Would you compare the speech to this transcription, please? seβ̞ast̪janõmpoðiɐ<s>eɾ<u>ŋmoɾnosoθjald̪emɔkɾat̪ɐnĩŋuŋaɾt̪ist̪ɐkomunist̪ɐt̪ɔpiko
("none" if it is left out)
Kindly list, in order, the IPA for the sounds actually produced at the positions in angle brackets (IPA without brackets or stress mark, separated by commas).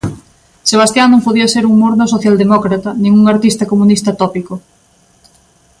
s, u